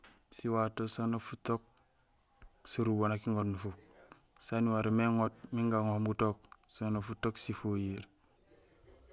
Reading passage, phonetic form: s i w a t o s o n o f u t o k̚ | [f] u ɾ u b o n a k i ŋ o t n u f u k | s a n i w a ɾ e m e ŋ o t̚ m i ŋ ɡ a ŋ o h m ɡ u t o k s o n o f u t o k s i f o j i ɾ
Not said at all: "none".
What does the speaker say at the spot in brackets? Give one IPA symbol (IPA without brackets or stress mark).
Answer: s